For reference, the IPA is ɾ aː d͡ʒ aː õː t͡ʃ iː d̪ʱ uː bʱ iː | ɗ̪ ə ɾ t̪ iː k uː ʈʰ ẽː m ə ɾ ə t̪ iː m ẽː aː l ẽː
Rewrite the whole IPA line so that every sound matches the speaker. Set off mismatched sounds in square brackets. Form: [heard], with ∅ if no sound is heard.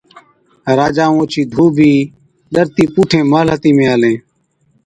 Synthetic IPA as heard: ɾ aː d͡ʒ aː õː t͡ʃ iː d̪ʱ uː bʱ iː | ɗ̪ ə ɾ t̪ iː [p] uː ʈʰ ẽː m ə [l] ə t̪ iː m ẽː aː l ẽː